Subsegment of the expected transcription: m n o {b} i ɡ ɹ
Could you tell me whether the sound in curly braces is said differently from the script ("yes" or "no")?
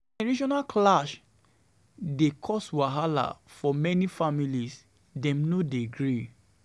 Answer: yes